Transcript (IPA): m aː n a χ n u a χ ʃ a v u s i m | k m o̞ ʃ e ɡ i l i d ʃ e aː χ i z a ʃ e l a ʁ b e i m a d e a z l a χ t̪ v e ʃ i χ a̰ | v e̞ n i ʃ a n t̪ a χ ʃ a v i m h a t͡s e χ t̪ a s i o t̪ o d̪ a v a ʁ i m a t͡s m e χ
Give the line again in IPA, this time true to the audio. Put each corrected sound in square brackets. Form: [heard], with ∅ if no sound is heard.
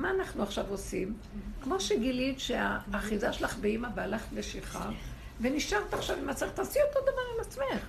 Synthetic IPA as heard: m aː n a χ n u a χ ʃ a v [o] s i m | k m o̞ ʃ e ɡ i l i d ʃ e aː χ i z a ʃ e l a [χ] b e i m a [b] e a [∅] l a χ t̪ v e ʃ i χ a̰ | v e̞ n i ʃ a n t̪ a χ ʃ a v i m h a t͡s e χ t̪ a s i o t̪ o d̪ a v a ʁ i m a t͡s m e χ